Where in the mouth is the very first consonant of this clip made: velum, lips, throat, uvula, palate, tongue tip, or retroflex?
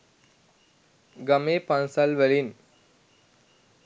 velum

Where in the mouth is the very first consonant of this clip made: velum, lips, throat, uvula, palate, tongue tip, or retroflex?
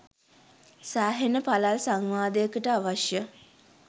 tongue tip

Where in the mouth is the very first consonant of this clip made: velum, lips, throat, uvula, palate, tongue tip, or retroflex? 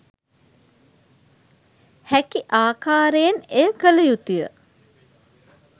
throat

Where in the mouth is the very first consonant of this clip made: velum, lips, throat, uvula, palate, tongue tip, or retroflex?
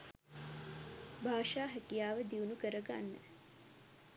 lips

